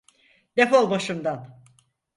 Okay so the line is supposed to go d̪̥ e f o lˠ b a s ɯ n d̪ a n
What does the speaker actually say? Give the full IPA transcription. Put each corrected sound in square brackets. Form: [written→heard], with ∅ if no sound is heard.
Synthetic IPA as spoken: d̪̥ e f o lˠ b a [s→ʃ] ɯ [n→m] d̪ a n